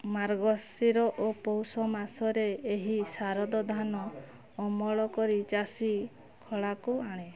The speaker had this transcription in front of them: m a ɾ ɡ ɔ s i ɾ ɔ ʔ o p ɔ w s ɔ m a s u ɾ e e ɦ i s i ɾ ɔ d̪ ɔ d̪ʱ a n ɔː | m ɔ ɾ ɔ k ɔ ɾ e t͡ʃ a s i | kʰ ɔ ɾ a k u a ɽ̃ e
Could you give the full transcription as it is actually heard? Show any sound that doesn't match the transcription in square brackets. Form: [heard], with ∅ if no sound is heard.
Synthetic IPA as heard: m a ɾ ɡ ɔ s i ɾ ɔ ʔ o p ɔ w s ɔ m a s [ɔ] ɾ e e ɦ i s [a] ɾ ɔ d̪ ɔ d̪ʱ a n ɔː | m ɔ [ɭ] ɔ k ɔ ɾ [i] t͡ʃ a s i | kʰ ɔ [ɭ] a k u a ɽ̃ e